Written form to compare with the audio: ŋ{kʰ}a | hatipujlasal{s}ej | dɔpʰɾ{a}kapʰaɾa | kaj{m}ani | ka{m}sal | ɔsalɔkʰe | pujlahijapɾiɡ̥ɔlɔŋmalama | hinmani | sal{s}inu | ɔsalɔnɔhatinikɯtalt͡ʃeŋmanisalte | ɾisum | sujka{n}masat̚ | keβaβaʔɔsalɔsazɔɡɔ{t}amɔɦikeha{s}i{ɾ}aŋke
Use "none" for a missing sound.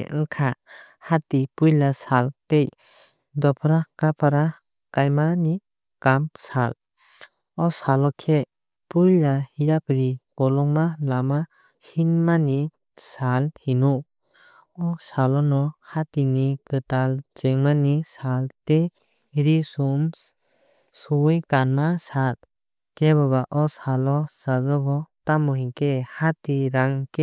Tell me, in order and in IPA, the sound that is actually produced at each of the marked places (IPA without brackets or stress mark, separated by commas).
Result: kʰ, t, a, m, m, h, n, t, t, ɾ